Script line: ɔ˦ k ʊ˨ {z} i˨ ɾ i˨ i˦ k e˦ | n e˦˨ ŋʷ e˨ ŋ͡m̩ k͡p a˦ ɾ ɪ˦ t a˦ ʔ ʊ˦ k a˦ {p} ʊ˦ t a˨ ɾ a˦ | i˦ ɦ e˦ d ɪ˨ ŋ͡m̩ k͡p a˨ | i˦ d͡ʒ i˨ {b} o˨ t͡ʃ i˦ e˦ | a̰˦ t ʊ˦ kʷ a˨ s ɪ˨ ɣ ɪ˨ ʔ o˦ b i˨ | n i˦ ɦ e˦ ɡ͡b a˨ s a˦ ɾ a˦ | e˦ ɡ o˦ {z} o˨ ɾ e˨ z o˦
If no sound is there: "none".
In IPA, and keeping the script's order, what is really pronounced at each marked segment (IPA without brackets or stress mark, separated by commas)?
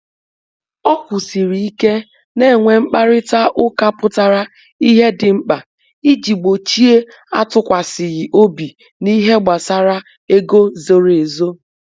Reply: s, p, ɡ͡b, z